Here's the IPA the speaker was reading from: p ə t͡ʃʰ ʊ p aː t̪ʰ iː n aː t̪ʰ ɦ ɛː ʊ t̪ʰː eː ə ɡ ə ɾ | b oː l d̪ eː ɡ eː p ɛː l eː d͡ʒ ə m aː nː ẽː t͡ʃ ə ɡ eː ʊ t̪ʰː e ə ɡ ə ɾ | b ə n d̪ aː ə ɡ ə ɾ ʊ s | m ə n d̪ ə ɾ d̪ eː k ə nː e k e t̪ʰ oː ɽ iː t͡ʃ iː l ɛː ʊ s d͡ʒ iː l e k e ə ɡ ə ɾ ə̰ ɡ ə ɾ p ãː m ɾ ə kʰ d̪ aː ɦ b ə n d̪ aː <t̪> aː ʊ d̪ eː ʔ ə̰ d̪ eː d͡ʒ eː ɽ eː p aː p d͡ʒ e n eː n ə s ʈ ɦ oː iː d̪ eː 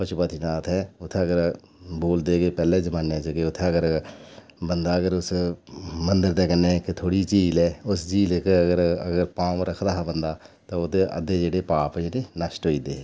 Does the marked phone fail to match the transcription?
no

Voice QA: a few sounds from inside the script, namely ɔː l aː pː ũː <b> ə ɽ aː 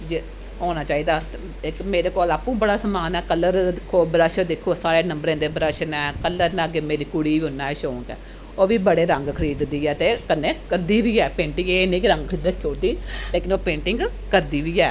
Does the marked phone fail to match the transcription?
no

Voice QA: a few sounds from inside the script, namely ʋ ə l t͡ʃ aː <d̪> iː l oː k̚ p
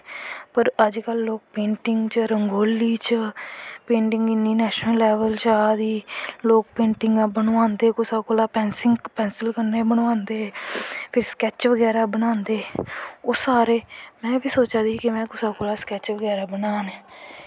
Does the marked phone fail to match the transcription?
no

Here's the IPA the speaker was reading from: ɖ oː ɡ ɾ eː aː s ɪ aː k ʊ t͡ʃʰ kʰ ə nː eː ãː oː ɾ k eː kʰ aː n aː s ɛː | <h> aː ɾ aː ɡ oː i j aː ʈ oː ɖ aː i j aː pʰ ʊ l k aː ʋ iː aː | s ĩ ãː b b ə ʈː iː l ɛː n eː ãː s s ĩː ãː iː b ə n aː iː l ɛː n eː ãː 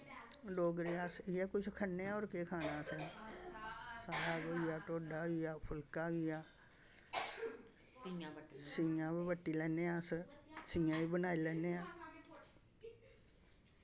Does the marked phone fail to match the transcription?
yes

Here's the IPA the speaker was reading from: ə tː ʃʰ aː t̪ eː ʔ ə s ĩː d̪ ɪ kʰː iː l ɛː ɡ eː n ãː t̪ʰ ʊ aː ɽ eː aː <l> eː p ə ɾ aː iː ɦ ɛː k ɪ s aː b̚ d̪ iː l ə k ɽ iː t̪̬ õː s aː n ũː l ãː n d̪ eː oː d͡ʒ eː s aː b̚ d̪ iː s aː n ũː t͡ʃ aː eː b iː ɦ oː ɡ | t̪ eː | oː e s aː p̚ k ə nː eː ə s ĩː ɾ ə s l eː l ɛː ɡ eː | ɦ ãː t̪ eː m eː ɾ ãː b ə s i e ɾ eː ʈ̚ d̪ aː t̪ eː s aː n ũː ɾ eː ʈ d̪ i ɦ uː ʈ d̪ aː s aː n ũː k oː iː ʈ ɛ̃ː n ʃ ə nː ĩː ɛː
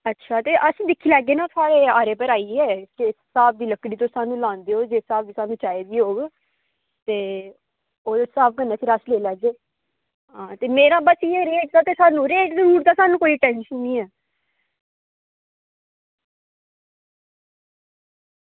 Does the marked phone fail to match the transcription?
yes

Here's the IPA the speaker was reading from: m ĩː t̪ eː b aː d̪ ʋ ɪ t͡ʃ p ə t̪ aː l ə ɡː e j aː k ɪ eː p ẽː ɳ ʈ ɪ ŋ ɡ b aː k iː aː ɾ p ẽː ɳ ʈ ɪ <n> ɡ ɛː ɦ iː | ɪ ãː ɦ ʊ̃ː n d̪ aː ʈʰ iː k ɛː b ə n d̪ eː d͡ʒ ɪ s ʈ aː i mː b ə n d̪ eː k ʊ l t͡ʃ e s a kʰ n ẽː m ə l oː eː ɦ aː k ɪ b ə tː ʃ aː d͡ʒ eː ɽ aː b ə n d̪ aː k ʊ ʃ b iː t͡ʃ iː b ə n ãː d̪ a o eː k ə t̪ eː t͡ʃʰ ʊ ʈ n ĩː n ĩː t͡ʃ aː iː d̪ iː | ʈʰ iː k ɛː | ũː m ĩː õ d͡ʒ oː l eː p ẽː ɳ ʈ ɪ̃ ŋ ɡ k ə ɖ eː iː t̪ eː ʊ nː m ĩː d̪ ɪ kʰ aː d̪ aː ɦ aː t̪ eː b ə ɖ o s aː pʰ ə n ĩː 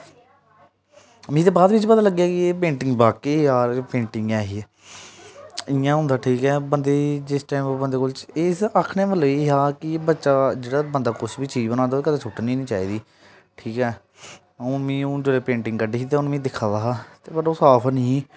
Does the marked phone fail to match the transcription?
yes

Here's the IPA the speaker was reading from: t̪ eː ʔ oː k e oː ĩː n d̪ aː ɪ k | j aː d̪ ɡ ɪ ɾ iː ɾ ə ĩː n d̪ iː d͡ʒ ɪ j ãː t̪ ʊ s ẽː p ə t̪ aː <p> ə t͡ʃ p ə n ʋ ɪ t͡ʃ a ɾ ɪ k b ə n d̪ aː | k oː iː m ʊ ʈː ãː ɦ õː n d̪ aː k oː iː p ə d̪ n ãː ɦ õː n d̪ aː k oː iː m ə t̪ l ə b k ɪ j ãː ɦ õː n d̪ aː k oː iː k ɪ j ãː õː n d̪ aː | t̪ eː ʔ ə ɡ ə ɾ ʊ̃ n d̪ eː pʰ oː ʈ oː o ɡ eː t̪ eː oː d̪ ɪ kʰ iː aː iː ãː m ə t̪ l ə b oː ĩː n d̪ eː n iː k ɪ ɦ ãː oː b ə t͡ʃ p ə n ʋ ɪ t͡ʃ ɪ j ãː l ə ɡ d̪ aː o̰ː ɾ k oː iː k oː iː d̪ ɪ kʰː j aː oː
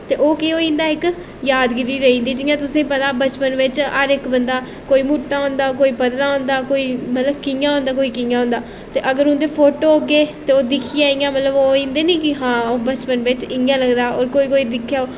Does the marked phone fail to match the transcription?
yes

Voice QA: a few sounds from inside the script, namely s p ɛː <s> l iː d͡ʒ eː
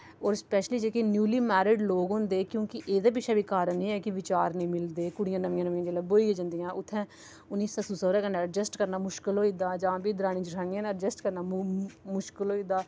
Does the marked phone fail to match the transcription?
yes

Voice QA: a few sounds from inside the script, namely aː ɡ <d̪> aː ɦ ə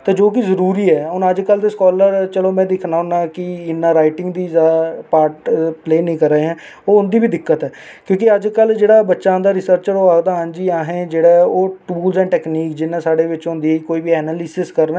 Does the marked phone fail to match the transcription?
no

